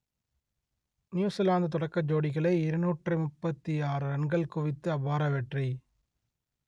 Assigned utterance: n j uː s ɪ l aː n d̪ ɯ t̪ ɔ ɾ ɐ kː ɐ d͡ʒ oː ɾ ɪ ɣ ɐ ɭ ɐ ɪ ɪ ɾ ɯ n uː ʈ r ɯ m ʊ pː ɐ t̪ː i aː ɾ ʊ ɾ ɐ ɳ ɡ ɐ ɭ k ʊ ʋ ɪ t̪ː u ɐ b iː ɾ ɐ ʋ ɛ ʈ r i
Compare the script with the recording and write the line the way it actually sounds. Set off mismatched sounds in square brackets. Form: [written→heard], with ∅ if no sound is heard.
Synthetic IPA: n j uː s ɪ l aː n d̪ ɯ t̪ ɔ [ɾ→ɽ] ɐ kː ɐ d͡ʒ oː [ɾ→ɽ] ɪ ɣ ɐ ɭ ɐ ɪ ɪ ɾ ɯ n uː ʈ r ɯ m ʊ pː ɐ t̪ː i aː ɾ [ʊ→ɯ] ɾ ɐ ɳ ɡ ɐ ɭ k ʊ ʋ ɪ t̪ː [u→ɯ] ɐ b [iː→aː] ɾ ɐ ʋ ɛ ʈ r i